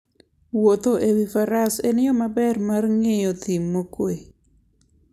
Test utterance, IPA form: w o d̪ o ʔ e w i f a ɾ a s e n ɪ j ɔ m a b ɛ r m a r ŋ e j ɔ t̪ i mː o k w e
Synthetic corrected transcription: w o t̪ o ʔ e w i f a ɾ a s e n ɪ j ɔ m a b ɛ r m a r ŋ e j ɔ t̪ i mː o k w e